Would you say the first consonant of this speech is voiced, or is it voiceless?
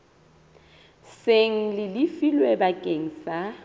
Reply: voiceless